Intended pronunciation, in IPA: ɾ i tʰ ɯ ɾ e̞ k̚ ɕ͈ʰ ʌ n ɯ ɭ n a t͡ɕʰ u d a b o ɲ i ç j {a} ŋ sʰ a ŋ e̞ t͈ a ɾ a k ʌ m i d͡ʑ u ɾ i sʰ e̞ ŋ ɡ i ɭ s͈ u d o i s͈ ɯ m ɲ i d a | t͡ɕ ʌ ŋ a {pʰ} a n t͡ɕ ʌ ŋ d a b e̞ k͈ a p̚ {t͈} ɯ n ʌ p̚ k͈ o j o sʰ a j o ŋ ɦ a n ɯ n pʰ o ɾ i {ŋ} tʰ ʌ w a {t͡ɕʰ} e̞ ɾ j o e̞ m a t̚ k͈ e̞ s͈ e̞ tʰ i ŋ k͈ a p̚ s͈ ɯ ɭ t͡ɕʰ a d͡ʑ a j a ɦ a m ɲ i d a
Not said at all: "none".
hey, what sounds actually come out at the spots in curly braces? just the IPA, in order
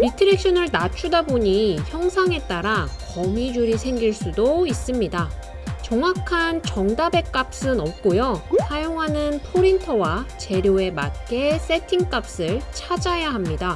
ʌ, kʰ, s͈, n, t͡ɕ

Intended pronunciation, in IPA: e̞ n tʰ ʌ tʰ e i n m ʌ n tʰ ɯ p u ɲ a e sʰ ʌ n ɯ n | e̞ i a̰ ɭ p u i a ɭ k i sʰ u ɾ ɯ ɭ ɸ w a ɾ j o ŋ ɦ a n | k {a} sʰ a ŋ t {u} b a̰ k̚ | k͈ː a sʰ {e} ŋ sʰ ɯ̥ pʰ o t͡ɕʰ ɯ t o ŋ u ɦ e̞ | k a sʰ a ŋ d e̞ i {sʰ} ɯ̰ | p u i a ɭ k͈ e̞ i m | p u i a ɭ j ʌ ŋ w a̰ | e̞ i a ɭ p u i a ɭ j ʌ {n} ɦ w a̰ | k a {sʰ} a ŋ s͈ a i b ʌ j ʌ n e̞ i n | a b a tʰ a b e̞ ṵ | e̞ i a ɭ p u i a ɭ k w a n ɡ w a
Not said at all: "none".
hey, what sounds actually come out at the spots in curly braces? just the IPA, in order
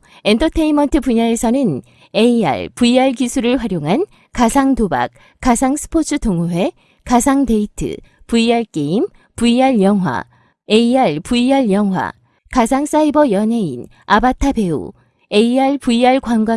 a, o, a, tʰ, ŋ, sʰ

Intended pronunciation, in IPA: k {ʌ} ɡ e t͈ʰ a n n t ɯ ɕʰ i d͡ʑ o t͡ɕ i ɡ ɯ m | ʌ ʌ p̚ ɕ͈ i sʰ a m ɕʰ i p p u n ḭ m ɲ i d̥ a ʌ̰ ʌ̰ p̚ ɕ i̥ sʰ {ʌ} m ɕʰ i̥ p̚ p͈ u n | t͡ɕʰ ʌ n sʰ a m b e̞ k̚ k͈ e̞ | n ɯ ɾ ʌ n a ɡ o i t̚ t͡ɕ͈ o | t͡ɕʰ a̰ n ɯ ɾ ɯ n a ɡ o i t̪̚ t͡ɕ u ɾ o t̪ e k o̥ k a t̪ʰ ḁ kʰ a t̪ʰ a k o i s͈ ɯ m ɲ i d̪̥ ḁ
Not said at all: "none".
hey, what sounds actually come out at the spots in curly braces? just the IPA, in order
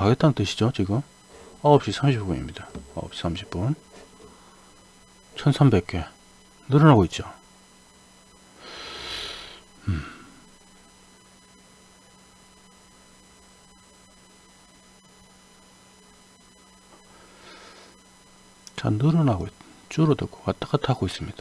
a, a

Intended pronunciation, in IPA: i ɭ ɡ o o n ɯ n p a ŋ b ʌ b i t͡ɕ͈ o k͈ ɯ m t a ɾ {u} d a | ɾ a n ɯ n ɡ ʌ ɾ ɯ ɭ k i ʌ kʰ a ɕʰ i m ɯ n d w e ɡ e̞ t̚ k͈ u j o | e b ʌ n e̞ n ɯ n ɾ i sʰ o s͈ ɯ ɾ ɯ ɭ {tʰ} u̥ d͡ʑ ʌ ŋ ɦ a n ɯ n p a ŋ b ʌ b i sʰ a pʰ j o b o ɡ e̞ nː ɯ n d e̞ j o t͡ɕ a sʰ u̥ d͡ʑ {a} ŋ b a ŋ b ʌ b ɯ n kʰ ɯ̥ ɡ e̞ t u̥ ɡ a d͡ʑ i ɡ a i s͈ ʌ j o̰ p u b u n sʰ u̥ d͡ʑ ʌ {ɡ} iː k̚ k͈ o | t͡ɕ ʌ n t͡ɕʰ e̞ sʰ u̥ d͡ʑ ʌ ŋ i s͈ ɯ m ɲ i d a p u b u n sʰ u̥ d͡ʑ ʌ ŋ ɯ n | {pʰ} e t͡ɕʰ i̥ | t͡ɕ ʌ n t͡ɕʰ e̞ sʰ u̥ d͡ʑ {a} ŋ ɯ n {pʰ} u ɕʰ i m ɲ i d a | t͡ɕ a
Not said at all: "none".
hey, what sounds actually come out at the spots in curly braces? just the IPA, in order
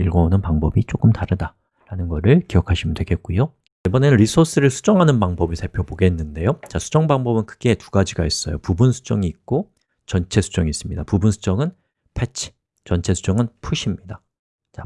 ɯ, sʰ, ʌ, ŋ, pʰ, ʌ, pʰ

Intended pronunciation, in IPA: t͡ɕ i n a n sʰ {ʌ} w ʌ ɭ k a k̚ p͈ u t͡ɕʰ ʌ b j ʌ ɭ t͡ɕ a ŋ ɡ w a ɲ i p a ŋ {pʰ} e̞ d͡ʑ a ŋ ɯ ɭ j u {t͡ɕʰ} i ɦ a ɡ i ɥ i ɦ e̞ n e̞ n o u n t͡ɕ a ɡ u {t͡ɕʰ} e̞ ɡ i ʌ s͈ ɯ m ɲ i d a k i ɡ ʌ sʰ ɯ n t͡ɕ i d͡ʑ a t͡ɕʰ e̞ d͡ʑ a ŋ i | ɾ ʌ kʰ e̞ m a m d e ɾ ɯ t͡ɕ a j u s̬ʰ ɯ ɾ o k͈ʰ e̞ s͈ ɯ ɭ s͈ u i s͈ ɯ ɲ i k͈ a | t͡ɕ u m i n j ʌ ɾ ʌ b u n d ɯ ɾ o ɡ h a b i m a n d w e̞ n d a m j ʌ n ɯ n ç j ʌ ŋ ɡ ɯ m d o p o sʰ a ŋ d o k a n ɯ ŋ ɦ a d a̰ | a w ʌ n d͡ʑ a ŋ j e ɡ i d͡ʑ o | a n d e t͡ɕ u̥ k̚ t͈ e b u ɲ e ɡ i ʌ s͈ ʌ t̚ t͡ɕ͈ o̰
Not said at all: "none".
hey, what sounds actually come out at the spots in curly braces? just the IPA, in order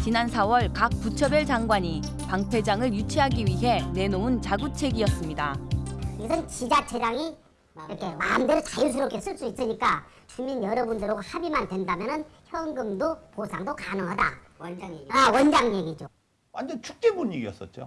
a, pʰ, t͡ɕʰ, t͡ɕʰ

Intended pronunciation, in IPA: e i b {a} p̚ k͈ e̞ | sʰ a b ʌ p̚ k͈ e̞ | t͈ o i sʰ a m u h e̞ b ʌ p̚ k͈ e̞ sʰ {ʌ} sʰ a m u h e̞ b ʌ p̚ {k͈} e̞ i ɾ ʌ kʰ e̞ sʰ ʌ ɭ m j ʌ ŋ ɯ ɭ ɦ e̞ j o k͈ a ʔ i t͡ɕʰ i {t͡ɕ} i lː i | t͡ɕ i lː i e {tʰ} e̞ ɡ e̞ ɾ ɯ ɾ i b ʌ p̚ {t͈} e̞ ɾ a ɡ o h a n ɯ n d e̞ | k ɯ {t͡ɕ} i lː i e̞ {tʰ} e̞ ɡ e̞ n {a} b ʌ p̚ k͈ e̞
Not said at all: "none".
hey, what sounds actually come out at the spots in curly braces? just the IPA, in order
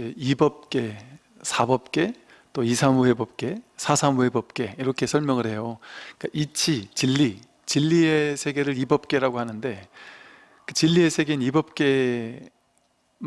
ʌ, a, k͈, t͡ɕ, sʰ, k͈, t͡ɕ, sʰ, i

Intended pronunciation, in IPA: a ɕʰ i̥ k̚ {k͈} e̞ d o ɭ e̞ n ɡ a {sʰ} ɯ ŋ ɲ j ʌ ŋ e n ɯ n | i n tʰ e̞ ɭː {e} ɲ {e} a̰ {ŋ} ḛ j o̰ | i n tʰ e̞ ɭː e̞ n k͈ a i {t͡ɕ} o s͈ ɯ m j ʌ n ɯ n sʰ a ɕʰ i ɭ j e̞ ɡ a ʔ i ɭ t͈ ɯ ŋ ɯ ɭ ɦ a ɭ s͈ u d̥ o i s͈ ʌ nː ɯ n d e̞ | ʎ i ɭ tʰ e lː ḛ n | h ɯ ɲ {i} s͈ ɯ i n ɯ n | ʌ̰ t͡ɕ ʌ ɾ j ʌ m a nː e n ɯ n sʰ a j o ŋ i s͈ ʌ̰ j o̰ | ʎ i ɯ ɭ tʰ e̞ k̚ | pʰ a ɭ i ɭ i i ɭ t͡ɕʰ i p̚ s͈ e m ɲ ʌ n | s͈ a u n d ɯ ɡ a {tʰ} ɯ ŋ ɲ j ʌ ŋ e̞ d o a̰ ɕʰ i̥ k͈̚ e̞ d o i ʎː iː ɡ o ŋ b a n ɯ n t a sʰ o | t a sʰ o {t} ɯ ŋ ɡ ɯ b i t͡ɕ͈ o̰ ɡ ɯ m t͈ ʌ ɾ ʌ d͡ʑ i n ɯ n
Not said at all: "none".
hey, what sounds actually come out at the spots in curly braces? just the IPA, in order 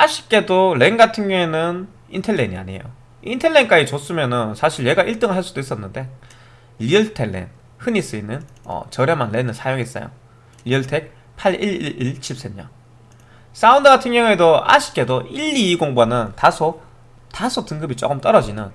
k͈, tʰ, e, i, ɲ, t͡ɕ, i, tʰ, t

